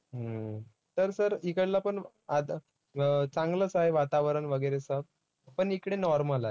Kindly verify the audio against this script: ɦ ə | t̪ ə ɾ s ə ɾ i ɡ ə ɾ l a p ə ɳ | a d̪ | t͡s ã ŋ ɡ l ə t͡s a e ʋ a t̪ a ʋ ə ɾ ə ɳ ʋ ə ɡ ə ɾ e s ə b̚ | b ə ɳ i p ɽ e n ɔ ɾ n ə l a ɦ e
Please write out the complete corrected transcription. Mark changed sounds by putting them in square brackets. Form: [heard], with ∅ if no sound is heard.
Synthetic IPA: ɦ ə | t̪ ə ɾ s ə ɾ i [k] ə [ɽ] l a p ə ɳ | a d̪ | t͡s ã ŋ ɡ l ə t͡s a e ʋ a t̪ a ʋ ə ɾ ə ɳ ʋ ə ɡ ə ɾ e s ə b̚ | [p] ə ɳ i [k] ɽ e n ɔ ɾ [m] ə l a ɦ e

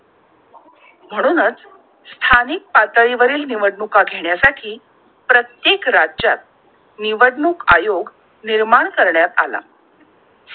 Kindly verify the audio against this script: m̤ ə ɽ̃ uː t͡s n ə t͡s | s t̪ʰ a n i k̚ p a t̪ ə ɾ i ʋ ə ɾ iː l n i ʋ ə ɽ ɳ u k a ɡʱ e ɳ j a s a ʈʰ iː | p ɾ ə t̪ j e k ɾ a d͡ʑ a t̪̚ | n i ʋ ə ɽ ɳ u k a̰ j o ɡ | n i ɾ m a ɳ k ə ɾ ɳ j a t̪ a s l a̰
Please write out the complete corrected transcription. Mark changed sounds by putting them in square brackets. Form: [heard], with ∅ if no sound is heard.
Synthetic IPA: m̤ ə ɽ̃ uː [∅] n ə t͡s | s t̪ʰ a n i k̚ p a t̪ ə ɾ i ʋ ə ɾ iː l n i ʋ ə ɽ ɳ u k a ɡʱ e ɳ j a s a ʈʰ iː | p ɾ ə t̪ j e k ɾ a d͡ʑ a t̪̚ | n i ʋ ə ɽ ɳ u k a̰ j o ɡ | n i ɾ m a ɳ k ə ɾ ɳ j a t̪ a [∅] l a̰

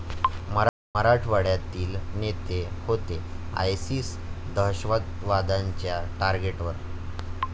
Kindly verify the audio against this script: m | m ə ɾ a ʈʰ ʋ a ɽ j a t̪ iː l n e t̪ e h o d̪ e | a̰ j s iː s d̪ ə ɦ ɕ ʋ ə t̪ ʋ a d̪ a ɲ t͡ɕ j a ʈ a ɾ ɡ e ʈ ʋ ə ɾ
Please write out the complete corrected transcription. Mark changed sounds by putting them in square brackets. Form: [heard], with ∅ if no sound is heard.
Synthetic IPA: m | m ə ɾ a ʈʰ ʋ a ɽ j a t̪ iː l n e t̪ e h o [t̪] e | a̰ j s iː s d̪ ə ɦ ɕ ʋ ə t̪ ʋ a d̪ a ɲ t͡ɕ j a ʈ a ɾ ɡ e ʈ ʋ ə ɾ

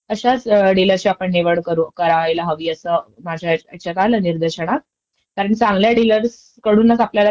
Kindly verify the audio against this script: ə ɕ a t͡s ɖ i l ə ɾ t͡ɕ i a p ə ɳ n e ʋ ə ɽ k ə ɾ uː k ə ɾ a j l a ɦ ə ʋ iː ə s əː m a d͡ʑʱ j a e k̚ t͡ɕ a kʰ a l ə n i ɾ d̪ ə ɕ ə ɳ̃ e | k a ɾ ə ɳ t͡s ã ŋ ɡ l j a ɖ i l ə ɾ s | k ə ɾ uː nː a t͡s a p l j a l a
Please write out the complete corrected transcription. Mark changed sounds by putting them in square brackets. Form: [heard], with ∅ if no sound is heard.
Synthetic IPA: ə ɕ a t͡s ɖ i l ə ɾ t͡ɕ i a p ə ɳ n e ʋ ə ɽ k ə ɾ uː k ə ɾ a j l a ɦ ə ʋ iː ə s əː m a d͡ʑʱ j a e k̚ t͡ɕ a [k] a l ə n i ɾ d̪ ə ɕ ə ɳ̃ [a] | k a ɾ ə ɳ t͡s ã ŋ ɡ l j a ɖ i l ə ɾ s | k ə [ɽ] uː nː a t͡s a p l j a l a

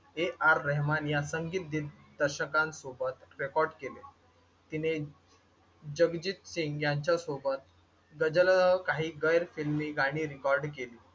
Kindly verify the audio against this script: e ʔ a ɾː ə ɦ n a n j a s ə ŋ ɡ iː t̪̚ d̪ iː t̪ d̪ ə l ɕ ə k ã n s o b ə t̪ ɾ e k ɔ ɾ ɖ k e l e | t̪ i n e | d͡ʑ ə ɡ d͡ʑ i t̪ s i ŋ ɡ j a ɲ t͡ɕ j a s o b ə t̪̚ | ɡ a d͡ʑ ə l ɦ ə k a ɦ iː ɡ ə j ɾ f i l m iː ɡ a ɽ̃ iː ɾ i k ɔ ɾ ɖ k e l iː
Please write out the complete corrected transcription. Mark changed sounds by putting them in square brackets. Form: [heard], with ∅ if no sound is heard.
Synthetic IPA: e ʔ a ɾː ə ɦ [m] a n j a s ə ŋ ɡ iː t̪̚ d̪ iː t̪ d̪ ə [ɾ] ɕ ə k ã n s o b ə t̪ ɾ e k ɔ ɾ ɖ k e l e | t̪ i n e | d͡ʑ ə ɡ d͡ʑ i t̪ s i ŋ ɡ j a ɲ t͡ɕ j a s o b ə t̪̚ | ɡ [ə] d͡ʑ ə l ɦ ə k a ɦ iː ɡ ə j ɾ f i l m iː ɡ a ɽ̃ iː ɾ i k ɔ ɾ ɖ k e l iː

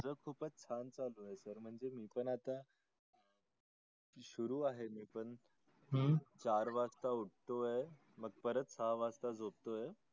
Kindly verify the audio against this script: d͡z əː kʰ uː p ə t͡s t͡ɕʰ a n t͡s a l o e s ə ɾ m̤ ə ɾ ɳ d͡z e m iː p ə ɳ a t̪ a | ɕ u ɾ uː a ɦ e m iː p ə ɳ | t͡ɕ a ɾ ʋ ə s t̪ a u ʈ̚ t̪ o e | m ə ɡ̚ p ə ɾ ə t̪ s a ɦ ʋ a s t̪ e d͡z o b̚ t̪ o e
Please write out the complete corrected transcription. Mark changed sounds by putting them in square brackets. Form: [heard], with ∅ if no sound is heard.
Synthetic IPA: d͡z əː kʰ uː p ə t͡s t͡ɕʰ a n t͡s a l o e s ə ɾ m̤ ə [∅] ɳ d͡z e m iː p ə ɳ a t̪ a | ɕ u ɾ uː a ɦ e m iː p ə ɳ | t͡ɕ a ɾ ʋ [a] s t̪ a u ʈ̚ t̪ o e | m ə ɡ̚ p ə ɾ ə t̪ s a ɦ ʋ a s t̪ [a] d͡z o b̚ t̪ o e

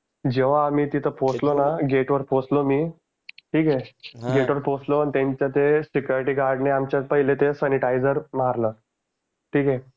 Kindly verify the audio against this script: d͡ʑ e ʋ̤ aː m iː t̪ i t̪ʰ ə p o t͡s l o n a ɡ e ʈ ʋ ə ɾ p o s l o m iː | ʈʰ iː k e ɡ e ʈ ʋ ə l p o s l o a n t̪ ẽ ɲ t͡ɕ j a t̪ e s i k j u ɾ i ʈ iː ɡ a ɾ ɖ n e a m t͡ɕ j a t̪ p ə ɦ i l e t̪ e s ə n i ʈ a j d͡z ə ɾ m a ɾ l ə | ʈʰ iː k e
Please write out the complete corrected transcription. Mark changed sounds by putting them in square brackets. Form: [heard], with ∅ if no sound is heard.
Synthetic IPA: d͡ʑ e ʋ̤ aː m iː t̪ i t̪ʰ ə p o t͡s l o n a ɡ e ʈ ʋ ə ɾ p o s l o m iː | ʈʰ iː k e ɡ e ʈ ʋ ə [ɾ] p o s l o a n t̪ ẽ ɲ t͡ɕ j a t̪ e s i k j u ɾ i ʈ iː ɡ a ɾ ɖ n e a m t͡ɕ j a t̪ p ə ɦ i l e t̪ e s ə n i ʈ a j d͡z ə ɾ m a ɾ l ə | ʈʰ iː k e

